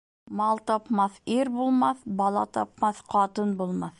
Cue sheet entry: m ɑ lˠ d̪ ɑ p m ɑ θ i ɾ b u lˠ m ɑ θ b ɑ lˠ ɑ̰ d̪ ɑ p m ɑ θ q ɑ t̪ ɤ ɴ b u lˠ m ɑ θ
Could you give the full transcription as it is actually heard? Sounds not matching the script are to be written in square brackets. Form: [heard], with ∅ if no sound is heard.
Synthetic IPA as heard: m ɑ lˠ [t̪] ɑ p m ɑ θ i ɾ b u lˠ m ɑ θ b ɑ lˠ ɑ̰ [t̪] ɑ p m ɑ θ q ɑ t̪ ɤ [n] b u lˠ m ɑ θ